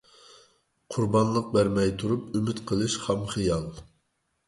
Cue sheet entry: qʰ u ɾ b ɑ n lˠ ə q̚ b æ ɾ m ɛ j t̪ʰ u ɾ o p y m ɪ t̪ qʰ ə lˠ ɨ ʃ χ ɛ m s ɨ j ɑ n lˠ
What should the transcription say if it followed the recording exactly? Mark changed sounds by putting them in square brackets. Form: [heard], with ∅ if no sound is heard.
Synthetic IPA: qʰ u ɾ b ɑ n lˠ ə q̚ b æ ɾ m ɛ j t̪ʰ u ɾ [u] p y m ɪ t̪ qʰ ə lˠ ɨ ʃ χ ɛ m [χ] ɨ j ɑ [∅] lˠ